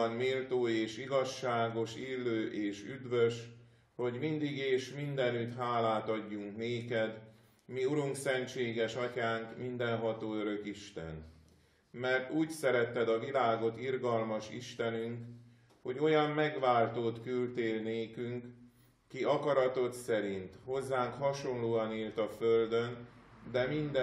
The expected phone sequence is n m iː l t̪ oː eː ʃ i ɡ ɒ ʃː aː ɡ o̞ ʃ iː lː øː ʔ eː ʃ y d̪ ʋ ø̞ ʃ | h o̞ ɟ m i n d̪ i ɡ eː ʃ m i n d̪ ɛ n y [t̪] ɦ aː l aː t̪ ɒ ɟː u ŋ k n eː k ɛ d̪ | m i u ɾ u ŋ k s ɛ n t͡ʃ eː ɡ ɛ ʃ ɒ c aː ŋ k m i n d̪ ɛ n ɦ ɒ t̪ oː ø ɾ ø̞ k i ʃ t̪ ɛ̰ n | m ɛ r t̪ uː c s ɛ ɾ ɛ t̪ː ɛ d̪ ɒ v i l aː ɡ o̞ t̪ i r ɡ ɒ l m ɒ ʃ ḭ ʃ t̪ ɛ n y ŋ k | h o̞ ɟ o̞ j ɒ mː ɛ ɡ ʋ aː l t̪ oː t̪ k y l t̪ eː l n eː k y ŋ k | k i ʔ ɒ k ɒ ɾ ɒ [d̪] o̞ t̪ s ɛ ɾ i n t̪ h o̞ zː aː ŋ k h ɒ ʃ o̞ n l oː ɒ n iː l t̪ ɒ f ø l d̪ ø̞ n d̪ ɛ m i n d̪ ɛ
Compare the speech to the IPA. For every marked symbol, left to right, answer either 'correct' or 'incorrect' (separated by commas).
correct, incorrect